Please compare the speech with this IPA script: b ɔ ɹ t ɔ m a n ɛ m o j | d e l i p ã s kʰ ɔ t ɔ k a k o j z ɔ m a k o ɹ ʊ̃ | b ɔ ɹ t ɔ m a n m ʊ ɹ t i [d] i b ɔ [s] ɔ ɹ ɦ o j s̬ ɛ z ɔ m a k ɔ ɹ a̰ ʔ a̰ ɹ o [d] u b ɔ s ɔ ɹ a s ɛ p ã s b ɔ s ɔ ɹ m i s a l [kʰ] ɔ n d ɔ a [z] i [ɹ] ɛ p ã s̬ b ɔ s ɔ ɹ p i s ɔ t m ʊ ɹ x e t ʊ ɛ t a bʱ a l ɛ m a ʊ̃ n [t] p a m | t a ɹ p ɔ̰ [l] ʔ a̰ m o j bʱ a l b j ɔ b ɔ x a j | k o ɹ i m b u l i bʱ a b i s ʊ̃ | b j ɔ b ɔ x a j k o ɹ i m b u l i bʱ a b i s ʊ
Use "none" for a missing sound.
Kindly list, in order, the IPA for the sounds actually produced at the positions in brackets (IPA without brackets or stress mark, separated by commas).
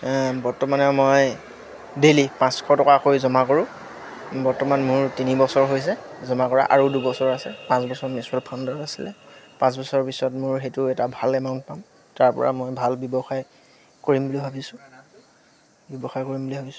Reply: n, s, d, pʰ, s, l, t, ɹ